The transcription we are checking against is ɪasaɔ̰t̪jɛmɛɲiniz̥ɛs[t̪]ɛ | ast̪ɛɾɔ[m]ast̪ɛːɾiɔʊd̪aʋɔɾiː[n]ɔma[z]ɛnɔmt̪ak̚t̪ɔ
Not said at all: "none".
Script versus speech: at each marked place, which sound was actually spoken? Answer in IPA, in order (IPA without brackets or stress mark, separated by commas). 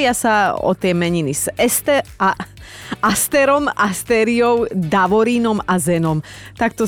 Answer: t̪, m, n, z